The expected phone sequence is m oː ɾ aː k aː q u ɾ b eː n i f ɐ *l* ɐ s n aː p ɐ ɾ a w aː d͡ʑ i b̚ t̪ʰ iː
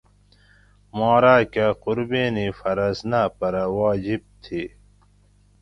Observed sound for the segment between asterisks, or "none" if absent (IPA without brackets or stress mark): ɾ